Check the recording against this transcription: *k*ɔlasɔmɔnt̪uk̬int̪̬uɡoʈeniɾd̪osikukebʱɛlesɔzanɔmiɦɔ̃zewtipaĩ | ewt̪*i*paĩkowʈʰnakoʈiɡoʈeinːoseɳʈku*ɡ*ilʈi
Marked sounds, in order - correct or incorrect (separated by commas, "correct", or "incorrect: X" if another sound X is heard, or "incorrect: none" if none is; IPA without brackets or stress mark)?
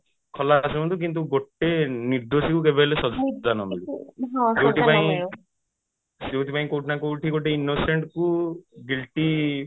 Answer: incorrect: kʰ, correct, correct